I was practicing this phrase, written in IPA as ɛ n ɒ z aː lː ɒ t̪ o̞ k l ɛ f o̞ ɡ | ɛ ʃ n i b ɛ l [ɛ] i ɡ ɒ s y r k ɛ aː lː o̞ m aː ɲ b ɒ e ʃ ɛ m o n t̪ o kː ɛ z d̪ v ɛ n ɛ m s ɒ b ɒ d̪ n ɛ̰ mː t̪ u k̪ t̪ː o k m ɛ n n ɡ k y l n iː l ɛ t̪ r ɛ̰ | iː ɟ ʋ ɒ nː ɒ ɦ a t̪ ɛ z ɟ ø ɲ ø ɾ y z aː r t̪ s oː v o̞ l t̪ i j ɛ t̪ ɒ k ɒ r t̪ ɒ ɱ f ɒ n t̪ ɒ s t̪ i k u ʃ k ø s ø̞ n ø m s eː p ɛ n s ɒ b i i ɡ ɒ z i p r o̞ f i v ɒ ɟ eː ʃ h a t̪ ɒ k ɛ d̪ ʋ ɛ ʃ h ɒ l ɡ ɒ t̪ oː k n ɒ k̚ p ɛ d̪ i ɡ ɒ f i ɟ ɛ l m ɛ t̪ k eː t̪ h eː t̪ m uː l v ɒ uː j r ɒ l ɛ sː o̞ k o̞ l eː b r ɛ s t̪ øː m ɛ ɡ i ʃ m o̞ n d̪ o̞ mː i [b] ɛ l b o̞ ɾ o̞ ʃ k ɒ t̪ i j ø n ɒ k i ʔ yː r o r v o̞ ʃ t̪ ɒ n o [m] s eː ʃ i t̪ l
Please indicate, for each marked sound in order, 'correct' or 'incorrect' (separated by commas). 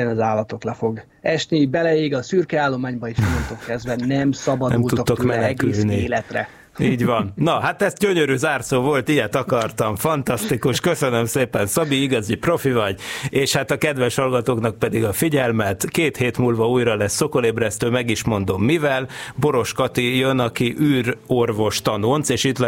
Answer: correct, incorrect, incorrect